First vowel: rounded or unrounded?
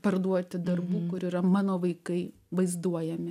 unrounded